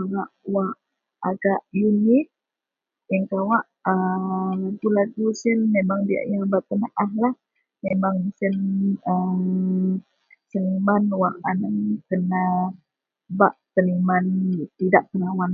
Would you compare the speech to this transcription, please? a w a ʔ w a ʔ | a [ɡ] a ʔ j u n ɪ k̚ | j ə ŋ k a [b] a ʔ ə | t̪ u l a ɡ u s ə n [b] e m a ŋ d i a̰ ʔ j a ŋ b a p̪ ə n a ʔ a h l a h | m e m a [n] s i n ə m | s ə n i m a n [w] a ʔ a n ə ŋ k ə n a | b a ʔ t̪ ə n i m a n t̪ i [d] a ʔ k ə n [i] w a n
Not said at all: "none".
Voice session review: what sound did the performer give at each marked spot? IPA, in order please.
ɡ, w, m, ŋ, w, d, a

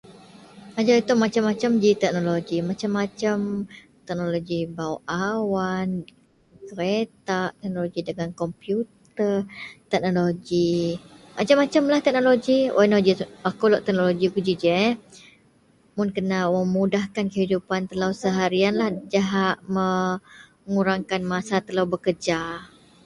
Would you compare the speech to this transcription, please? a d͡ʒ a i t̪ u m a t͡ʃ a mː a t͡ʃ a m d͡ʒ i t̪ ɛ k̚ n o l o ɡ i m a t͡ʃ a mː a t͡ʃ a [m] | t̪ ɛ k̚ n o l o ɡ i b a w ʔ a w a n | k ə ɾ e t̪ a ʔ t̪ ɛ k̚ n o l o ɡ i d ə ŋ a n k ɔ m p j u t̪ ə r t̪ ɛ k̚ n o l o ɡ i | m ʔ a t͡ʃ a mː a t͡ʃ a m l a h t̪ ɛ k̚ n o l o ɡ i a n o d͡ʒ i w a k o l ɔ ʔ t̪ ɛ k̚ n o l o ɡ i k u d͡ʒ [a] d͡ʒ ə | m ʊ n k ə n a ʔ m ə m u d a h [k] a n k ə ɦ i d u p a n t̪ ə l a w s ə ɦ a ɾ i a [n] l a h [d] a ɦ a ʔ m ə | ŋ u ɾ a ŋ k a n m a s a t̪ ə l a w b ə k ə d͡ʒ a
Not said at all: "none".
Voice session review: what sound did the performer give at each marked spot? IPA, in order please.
m, i, k, n, d͡ʒ

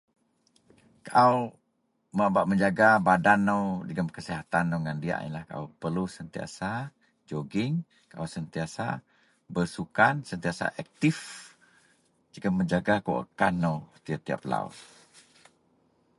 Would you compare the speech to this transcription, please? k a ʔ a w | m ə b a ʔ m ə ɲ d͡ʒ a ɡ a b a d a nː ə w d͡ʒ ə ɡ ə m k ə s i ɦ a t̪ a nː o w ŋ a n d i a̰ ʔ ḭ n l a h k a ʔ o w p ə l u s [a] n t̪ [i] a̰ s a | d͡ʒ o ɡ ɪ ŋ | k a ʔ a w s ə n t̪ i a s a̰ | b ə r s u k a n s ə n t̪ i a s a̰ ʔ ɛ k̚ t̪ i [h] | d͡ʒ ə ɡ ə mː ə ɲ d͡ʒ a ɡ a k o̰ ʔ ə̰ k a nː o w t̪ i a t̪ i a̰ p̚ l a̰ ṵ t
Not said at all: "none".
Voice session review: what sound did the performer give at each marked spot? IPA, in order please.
ə, i, f

